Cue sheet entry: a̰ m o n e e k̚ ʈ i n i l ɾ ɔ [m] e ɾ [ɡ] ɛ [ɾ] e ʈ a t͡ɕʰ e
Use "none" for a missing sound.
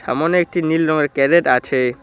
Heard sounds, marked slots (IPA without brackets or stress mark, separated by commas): ŋ, k, ɾ